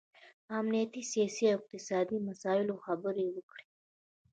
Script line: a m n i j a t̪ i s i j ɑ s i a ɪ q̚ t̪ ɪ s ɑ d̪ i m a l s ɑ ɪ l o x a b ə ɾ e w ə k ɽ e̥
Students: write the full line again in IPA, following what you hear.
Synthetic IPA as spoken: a m n i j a t̪ i s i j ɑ s i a ɪ q̚ t̪ ɪ s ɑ d̪ i m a s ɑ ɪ l o x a b ə ɾ e w ə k ɽ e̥

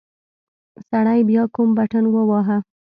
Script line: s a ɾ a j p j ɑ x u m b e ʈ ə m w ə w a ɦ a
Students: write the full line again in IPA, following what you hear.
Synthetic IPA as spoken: s a ɽ a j b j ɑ k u m b a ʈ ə n w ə w ɑ ɦ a

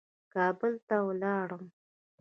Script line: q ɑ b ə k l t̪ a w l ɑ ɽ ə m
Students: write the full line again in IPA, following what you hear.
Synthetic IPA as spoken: k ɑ b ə l t̪ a w l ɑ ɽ ə m

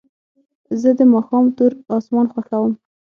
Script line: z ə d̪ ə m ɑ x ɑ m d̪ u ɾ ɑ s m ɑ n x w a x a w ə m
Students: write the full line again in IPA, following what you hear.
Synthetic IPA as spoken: z ə d̪ ə m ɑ x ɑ m t̪ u ɾ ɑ s m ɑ n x w a x a w ə m

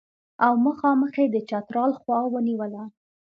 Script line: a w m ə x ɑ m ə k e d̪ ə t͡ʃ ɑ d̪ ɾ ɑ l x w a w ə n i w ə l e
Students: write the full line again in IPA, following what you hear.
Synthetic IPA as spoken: a w m ə x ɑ m ə x e d̪ ə t͡ʃ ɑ t̪ ɾ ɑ l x w ɑ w ə n i w ə l a

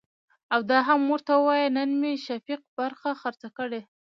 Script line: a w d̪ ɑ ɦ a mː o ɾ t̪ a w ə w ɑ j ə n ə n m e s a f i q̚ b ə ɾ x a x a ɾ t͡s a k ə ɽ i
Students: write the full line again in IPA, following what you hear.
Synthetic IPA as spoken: a w d̪ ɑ ɦ a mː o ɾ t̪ a w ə w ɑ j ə n ə n m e ʃ a f i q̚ b a ɾ x a x a ɾ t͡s a k ə ɽ e

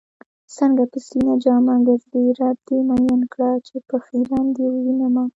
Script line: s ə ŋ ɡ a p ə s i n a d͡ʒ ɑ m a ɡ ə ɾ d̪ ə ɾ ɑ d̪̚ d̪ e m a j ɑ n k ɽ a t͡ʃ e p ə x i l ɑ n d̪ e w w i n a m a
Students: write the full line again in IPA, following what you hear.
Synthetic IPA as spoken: s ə ŋ ɡ a p ə s i n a d͡ʒ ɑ m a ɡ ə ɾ d̪ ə ɾ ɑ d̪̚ d̪ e m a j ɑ n k ɽ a t͡ʃ e p ə x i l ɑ n d̪ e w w i n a m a

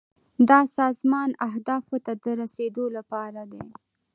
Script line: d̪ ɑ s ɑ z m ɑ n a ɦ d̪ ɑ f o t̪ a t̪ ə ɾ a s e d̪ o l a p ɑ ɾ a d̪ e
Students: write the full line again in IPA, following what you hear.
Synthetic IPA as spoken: d̪ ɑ s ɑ z m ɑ n a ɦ d̪ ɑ f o t̪ a d̪ ə ɾ a s e d̪ o l a p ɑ ɾ a d̪ e

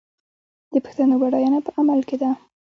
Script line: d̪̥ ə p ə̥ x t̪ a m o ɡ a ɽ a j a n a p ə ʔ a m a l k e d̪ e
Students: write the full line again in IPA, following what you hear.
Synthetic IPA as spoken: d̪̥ ə p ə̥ x t̪ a n o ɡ a ɽ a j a n a p ə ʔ a m a l k e d̪ a

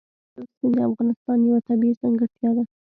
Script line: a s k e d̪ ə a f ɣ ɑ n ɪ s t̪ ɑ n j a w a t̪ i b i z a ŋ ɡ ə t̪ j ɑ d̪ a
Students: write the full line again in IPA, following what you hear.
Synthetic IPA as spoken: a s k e d̪ ə a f ɣ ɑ n ɪ s t̪ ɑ n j a w a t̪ a b i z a ŋ ɡ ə t̪ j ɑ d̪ a

